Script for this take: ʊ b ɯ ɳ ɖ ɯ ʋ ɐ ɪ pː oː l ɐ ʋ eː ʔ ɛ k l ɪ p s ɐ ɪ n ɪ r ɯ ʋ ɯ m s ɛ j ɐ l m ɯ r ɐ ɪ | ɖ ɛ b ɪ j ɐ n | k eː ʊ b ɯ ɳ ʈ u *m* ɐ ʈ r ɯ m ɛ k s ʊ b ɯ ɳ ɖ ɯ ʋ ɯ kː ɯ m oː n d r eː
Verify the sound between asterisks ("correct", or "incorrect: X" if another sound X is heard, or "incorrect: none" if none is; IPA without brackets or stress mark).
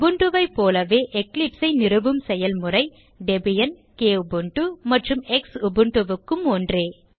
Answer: correct